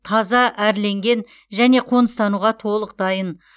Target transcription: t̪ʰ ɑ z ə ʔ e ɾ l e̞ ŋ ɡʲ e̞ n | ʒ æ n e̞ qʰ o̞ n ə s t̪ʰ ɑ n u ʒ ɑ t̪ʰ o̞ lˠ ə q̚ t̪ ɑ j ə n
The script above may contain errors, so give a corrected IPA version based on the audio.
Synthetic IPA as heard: t̪ʰ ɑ z ɑ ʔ æ ɾ l e̞ ŋ ɡʲ e̞ n | ʒ æ n e̞ qʰ o̞ n ə s t̪ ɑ n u ʁ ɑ t̪ʰ o̞ lˠ ə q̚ d̪ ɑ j ə n